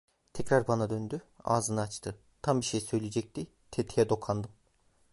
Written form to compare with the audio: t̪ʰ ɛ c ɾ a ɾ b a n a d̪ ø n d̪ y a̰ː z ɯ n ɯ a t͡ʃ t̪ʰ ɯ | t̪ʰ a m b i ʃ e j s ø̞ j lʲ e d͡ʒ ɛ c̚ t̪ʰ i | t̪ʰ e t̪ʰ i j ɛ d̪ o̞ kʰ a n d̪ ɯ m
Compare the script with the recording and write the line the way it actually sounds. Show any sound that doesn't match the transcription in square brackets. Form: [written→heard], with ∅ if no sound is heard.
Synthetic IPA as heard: t̪ʰ ɛ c ɾ a ɾ b a n a d̪ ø n d̪ y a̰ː z ɯ n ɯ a t͡ʃ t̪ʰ ɯ | t̪ʰ a m b i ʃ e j s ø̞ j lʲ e d͡ʒ ɛ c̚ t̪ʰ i | t̪ʰ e t̪ʰ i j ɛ d̪ o̞ kʰ a n d̪ ɯ m